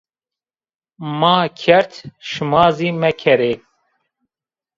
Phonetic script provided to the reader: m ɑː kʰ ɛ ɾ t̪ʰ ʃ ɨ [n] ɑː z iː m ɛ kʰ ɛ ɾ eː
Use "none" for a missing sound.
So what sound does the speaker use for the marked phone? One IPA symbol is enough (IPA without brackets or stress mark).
m